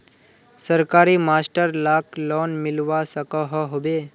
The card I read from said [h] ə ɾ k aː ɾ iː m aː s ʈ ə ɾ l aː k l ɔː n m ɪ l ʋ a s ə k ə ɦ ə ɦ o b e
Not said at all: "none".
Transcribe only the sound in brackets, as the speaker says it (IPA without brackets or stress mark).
s